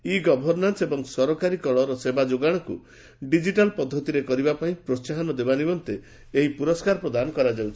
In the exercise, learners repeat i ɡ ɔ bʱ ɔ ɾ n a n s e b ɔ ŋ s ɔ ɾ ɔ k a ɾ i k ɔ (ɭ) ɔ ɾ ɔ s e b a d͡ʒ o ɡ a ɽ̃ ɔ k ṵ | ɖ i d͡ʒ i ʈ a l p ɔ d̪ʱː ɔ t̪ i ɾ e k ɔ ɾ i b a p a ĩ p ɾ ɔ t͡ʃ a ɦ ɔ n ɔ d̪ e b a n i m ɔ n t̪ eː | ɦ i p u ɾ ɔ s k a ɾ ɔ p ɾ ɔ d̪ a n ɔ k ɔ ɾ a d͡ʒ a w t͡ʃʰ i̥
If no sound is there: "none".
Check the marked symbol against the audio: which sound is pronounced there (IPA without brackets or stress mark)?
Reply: ɭ